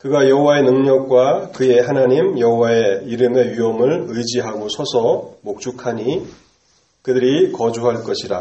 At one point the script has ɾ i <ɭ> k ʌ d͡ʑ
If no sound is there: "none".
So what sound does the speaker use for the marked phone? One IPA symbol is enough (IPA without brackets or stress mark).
none